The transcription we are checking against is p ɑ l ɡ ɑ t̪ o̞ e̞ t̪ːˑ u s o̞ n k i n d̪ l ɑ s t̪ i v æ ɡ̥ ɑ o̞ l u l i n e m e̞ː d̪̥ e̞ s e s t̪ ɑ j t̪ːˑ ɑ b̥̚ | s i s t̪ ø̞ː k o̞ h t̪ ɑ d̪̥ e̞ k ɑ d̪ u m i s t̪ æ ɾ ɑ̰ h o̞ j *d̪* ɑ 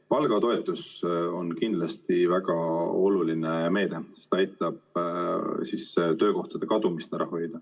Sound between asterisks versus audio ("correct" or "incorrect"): correct